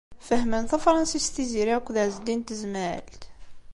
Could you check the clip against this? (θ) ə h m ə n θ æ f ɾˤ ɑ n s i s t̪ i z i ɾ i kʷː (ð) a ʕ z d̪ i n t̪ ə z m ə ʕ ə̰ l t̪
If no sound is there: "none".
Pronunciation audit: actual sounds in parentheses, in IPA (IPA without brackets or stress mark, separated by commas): f, ð